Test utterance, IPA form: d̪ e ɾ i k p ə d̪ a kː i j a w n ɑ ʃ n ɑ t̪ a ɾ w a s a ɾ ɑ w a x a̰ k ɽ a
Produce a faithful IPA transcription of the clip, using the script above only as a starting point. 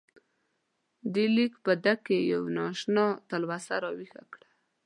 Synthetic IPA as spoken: d̪ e l i k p ə d̪ a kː e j a w n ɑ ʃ n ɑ t̪ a l w a s a ɾ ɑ w i x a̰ k ɽ a

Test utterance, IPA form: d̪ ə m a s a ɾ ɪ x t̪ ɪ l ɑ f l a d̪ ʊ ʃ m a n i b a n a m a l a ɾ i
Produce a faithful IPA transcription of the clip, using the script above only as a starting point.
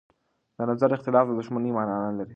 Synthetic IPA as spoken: d̪ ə n a z a ɾ ɪ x t̪ ɪ l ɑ f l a d̪ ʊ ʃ m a n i m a n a n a l a ɾ i

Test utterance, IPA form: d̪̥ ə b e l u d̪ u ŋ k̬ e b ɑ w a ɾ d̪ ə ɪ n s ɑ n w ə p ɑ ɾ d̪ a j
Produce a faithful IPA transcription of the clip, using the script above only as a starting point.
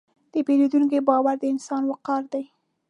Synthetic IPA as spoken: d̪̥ ə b e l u d̪ u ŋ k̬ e b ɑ w a ɾ d̪ ə ɪ n s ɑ n w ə q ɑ ɾ d̪ a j

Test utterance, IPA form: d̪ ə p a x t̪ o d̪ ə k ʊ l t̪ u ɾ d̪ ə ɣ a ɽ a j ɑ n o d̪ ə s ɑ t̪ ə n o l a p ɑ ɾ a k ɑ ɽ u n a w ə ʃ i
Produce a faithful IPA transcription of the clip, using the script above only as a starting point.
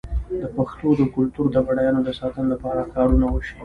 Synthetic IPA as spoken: d̪ ə p a x t̪ o d̪ ə k ʊ l t̪ u ɾ d̪ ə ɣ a ɽ a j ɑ n o d̪ ə s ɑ t̪ ə n o l a p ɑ ɾ a k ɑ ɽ u n a w ə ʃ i

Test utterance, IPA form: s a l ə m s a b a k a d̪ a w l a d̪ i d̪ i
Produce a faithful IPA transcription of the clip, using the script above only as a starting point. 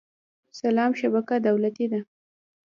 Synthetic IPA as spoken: s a l ɑ m ʃ a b a k a d̪ a w l a t̪ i d̪ a

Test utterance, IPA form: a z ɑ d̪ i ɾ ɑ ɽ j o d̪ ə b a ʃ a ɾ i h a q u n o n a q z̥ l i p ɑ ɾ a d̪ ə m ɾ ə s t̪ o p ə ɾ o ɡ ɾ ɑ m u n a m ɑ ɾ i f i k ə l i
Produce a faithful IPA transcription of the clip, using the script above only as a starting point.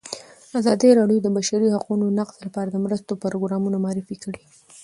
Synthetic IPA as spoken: a z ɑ d̪ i ɾ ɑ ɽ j o d̪ ə b a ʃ a ɾ i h a q u n o n a q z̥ l a p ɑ ɾ a d̪ ə m ɾ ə s t̪ o p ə ɾ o ɡ ɾ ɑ m u n a m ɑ ɾ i f i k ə ɽ i

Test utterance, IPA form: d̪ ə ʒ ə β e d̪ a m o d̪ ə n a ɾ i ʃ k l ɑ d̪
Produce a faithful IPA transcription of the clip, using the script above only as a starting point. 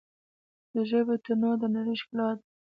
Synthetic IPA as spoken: d̪ ə ʒ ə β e t̪ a n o d̪ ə n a ɾ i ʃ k l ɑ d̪

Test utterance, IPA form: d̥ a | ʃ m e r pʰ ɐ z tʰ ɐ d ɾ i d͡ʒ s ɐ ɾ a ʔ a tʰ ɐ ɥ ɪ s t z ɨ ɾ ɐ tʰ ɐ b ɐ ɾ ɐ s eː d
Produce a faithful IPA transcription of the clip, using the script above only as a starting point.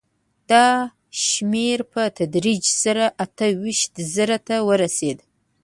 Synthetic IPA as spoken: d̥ a | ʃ m e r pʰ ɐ tʰ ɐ d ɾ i d͡ʒ s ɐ ɾ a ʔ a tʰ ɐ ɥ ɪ ʃ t z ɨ ɾ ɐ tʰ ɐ w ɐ ɾ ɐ s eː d

